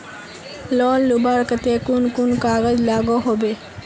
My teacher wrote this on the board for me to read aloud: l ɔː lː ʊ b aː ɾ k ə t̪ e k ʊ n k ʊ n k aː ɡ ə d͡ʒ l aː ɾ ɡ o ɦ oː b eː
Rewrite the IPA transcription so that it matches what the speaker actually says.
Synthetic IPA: l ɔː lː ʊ b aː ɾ k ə t̪ e k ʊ n k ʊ n k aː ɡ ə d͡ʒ l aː ɡ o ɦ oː b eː